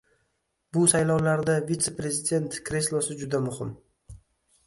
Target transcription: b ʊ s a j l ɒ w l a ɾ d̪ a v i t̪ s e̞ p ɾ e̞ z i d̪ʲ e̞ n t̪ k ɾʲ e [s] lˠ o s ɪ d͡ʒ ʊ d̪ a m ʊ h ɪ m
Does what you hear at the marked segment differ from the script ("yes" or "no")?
no